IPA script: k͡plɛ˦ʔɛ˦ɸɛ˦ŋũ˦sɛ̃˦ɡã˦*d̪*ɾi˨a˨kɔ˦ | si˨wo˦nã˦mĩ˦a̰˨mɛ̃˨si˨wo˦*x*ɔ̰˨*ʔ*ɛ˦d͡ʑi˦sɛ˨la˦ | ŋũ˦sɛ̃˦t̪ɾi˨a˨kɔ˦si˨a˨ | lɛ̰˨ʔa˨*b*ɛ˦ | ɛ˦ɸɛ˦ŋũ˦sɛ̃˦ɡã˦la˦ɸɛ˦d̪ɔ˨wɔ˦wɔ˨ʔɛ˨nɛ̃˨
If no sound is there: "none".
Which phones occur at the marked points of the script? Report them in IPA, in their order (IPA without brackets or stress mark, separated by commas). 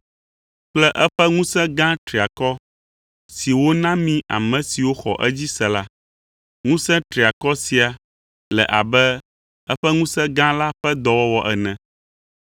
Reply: t̪, x, ʔ, b